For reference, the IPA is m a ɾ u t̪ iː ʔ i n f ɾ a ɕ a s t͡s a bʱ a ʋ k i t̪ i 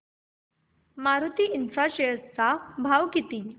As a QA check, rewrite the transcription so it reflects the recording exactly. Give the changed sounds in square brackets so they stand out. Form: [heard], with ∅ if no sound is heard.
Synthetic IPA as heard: m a ɾ u t̪ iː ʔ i n f ɾ a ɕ [e] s t͡s a bʱ a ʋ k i t̪ i